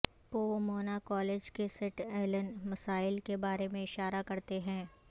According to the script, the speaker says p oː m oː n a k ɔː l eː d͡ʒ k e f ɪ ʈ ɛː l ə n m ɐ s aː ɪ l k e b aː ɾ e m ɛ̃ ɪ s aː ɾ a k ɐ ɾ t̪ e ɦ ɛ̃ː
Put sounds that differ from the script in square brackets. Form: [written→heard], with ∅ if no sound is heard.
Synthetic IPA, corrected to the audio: p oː m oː n a k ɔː l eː d͡ʒ k e [f→s] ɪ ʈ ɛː l ə n m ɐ s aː ɪ l k e b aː ɾ e m [ɛ̃→ẽ] ɪ [s→ʃ] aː ɾ a k ɐ ɾ t̪ e ɦ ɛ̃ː